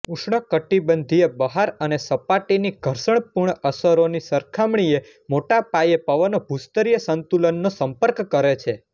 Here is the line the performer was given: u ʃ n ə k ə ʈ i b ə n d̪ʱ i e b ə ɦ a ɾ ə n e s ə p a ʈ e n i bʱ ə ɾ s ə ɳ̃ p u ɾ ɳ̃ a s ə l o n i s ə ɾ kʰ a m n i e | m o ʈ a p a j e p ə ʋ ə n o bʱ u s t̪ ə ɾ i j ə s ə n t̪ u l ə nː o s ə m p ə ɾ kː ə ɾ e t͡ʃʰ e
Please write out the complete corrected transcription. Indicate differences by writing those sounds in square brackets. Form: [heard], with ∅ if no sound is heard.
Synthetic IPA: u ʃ [ɳ] ə k ə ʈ i b ə n d̪ʱ i e b ə ɦ a ɾ ə n e s ə p a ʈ [i] n i [ɡʱ] ə ɾ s ə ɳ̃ p u ɾ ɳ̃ [ə] s ə [ɾ] o n i s ə ɾ kʰ a m [ɳ] i e | m o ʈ a p a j e p ə ʋ ə n o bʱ u s t̪ ə ɾ i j ə s ə n t̪ u l ə nː o s ə m p ə ɾ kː ə ɾ e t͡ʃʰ e